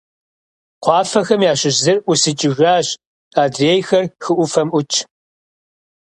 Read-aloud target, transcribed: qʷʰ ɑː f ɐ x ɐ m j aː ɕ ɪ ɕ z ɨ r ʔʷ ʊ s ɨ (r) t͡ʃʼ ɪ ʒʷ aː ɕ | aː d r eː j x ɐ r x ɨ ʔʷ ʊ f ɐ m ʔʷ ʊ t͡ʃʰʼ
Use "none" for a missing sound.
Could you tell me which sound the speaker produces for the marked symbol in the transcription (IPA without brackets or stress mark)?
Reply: none